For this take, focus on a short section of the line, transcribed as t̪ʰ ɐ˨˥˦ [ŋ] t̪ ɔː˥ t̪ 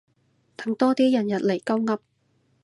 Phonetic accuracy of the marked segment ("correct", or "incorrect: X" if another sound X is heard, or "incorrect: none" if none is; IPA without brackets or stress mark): correct